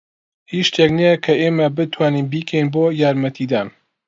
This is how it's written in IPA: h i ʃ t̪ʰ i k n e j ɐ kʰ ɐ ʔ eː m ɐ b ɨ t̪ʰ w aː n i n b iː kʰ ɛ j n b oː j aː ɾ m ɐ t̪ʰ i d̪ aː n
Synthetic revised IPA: h i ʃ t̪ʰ e k n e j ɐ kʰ ɐ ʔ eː m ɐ b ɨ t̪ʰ w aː n i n b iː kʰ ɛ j n b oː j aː ɾ m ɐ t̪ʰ i d̪ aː n

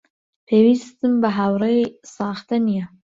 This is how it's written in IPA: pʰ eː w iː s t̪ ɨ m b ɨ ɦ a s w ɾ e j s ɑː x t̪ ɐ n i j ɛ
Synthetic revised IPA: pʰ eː w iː s t̪ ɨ m b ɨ ɦ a w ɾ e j s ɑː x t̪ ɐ n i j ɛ

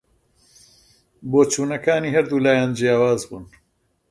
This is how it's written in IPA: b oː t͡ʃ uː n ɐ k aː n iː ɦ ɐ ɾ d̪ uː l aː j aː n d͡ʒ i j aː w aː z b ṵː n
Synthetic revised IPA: b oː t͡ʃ uː n ɐ k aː n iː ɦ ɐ ɾ d̪ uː l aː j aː n d͡ʒ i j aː w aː z b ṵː n

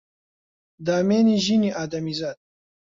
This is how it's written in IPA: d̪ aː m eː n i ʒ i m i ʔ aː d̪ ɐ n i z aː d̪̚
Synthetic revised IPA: d̪ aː m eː n i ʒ i n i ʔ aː d̪ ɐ m i z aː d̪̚

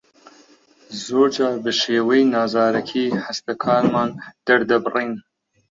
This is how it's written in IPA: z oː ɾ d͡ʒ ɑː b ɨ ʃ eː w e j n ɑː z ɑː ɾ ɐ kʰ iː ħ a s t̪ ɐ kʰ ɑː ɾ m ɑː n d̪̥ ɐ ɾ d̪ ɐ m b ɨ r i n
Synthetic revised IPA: z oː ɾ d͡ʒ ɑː b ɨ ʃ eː w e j n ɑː z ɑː ɾ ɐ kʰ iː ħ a s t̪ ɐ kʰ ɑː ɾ m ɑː n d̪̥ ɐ ɾ d̪ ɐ b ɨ r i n

